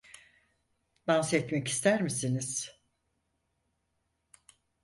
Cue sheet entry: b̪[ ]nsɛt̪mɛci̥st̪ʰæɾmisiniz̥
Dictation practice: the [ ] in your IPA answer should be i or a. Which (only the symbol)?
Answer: a